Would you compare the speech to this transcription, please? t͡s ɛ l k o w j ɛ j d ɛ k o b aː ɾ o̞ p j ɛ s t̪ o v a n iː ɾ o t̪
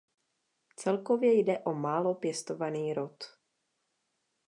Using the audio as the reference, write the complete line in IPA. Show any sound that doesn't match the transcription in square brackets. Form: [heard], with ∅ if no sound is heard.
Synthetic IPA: t͡s ɛ l k o [v] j ɛ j d ɛ [ʔ] o [m] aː [l] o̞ p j ɛ s t̪ o v a n iː ɾ o t̪